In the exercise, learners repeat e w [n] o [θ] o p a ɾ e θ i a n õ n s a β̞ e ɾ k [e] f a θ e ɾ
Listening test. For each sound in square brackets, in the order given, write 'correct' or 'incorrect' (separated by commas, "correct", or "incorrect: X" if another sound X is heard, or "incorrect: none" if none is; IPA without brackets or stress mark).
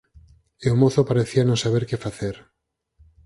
incorrect: m, correct, correct